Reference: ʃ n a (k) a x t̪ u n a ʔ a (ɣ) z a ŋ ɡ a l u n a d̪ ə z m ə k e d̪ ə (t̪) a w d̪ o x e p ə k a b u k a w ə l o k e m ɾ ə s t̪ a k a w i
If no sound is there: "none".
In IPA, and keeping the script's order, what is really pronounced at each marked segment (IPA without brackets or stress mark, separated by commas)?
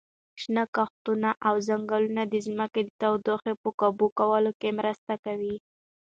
k, w, t̪